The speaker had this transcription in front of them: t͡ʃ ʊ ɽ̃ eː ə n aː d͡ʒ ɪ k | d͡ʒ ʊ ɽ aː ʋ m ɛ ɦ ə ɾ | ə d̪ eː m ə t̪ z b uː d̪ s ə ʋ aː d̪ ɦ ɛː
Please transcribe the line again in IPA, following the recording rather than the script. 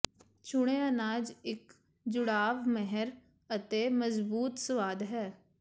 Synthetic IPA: t͡ʃ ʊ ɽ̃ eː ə n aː d͡ʒ ɪ k | d͡ʒ ʊ ɽ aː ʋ m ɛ ɦ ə ɾ | ə t̪ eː m ə z b uː t̪ s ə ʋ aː d̪ ɦ ɛː